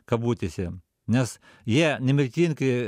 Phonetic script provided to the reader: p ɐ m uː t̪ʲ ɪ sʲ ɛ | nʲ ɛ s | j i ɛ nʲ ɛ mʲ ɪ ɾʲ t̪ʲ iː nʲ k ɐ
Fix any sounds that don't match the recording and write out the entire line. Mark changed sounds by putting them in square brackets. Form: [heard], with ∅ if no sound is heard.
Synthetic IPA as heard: [k] ɐ [b] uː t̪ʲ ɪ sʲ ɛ | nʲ ɛ s | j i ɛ nʲ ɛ mʲ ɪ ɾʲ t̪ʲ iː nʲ k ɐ

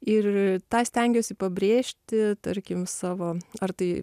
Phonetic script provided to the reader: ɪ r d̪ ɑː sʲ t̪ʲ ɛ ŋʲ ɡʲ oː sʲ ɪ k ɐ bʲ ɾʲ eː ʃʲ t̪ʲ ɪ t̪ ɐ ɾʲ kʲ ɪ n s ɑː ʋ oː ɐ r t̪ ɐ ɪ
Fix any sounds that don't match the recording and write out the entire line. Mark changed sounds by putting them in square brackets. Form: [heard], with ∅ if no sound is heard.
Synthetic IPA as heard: ɪ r [t̪] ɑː sʲ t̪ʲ ɛ ŋʲ ɡʲ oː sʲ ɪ [p] ɐ bʲ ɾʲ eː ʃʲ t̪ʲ ɪ t̪ ɐ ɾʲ kʲ ɪ [m] s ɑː ʋ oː ɐ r t̪ ɐ ɪ

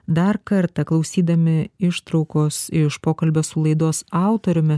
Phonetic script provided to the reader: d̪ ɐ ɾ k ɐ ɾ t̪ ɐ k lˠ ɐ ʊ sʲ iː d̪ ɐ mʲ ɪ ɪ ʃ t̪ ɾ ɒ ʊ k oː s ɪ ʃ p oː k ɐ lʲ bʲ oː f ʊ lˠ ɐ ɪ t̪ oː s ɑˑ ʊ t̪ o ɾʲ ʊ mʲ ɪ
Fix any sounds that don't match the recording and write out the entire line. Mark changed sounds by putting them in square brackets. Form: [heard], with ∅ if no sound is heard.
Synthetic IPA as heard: d̪ ɐ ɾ k ɐ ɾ t̪ ɐ k lˠ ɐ ʊ sʲ iː d̪ ɐ mʲ ɪ ɪ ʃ t̪ ɾ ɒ ʊ k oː s ɪ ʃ p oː k ɐ lʲ bʲ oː [s] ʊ lˠ ɐ ɪ [d̪] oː s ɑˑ ʊ t̪ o ɾʲ ʊ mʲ ɪ

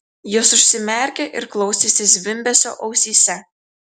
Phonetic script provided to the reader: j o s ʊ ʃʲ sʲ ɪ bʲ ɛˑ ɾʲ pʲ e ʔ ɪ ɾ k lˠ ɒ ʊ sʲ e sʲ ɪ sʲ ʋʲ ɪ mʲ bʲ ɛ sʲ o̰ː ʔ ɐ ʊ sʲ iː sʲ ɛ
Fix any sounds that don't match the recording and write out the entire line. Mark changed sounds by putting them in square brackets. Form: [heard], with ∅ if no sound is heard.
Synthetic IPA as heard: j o s ʊ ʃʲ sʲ ɪ [mʲ] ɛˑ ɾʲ [kʲ] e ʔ ɪ ɾ k lˠ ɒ ʊ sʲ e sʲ ɪ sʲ ʋʲ ɪ mʲ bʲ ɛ sʲ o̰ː ʔ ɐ ʊ sʲ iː sʲ ɛ

